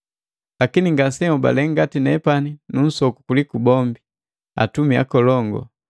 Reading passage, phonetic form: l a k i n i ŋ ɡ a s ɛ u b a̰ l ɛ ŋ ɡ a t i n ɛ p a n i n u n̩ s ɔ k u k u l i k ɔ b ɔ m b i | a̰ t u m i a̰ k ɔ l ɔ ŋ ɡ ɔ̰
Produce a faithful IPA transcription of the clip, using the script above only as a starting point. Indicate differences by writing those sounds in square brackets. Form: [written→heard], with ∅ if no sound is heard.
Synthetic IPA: l a k i n i ŋ ɡ a s ɛ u b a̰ l ɛ ŋ ɡ a t i n ɛ p a n i n u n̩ s ɔ k u k u l i k [ɔ→u] b ɔ m b i | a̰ t u m i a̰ k ɔ l ɔ ŋ ɡ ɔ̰